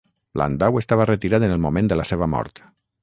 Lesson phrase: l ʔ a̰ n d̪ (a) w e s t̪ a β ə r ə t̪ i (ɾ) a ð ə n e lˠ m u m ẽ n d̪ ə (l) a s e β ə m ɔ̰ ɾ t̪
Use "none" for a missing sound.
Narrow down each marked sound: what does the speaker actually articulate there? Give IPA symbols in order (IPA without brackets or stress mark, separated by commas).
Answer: a, ɾ, l